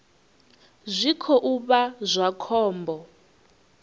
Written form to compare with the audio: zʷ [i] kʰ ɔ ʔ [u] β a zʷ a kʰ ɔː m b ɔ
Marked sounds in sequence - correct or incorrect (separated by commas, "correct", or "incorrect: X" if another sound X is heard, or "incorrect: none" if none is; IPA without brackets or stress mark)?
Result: correct, correct